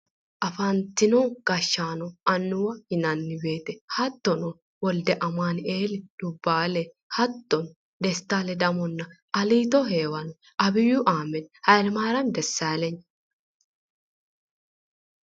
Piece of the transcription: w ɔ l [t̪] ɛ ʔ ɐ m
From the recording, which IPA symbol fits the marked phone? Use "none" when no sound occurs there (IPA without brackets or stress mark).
d̪